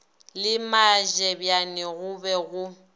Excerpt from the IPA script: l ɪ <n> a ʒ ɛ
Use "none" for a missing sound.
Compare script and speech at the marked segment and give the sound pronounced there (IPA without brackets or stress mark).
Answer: m